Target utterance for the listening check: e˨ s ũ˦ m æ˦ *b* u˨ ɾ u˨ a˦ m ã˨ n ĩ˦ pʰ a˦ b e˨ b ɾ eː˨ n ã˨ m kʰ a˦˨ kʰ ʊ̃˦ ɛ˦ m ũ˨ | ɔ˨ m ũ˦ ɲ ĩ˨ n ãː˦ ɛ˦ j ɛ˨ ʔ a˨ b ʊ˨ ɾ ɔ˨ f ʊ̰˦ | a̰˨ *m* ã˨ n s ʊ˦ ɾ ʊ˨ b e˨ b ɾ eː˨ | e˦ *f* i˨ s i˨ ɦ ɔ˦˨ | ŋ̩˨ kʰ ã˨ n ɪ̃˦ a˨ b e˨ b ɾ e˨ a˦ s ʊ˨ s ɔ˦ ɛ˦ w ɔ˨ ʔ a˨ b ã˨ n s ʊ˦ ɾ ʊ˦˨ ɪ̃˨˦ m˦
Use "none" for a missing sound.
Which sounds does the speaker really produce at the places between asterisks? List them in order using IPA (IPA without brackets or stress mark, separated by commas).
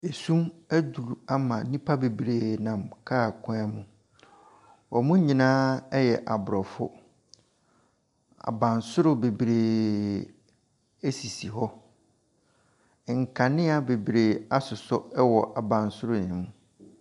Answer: d, b, s